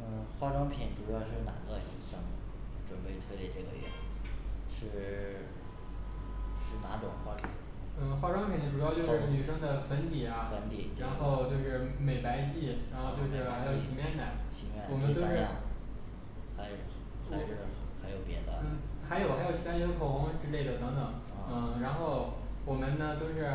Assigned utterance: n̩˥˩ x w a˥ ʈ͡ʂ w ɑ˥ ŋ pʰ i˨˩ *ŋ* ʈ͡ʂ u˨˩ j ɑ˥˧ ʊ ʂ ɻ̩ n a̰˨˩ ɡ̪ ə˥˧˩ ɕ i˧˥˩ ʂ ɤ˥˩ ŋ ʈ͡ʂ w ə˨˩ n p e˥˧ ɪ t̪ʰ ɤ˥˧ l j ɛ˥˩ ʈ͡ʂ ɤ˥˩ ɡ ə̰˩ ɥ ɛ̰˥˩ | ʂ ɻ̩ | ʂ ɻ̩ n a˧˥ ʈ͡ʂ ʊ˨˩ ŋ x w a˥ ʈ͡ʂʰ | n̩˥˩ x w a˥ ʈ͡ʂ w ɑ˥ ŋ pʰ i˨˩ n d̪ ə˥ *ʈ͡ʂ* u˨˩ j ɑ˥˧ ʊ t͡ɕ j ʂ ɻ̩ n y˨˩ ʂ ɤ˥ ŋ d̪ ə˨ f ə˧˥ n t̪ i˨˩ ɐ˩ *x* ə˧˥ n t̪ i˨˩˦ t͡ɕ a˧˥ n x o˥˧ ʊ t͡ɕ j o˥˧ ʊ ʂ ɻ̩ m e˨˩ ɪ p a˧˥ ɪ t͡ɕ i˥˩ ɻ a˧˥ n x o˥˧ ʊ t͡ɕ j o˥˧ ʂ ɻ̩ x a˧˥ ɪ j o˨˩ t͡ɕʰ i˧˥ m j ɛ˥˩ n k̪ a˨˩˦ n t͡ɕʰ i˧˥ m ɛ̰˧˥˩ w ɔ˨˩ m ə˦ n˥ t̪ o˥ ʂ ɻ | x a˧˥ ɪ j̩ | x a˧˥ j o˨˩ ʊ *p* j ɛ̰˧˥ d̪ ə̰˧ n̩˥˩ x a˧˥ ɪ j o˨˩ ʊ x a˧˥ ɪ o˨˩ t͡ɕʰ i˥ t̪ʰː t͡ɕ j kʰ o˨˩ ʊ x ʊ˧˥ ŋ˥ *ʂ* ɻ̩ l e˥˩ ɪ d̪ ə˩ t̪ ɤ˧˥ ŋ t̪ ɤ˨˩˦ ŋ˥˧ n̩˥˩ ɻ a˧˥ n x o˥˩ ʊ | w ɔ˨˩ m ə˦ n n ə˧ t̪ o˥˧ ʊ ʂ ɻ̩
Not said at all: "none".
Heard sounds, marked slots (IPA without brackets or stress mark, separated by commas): n, ʈ͡ʂ, f, p, ʈ͡ʂ